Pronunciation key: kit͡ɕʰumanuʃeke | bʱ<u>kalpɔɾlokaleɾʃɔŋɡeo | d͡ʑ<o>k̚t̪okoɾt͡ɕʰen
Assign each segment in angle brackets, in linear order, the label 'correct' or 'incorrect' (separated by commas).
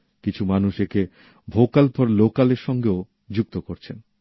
incorrect, incorrect